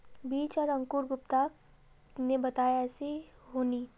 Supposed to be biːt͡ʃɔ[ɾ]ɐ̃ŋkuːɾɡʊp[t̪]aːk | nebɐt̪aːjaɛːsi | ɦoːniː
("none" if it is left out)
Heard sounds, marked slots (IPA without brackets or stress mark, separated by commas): ɾ, t̪